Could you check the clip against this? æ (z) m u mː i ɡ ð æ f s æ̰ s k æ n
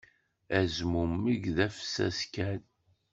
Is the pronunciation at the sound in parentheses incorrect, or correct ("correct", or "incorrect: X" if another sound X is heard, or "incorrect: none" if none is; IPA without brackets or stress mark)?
correct